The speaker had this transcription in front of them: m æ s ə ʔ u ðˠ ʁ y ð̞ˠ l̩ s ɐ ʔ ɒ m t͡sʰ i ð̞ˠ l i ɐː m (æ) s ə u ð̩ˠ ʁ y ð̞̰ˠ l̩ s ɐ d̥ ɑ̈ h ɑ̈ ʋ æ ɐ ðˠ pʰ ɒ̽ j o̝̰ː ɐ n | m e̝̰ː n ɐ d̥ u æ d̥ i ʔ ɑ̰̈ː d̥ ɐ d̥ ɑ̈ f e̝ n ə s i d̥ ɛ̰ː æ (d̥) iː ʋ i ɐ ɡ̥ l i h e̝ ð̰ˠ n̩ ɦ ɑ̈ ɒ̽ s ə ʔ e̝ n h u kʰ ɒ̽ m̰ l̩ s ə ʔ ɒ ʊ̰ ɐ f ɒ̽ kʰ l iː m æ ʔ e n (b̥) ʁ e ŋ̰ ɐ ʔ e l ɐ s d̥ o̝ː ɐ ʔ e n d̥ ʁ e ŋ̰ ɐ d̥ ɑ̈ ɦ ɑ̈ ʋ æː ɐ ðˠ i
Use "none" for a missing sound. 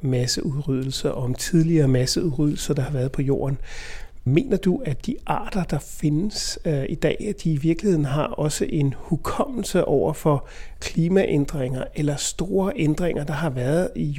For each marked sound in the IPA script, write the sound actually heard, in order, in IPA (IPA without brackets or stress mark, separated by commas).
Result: æ, d̥, d̥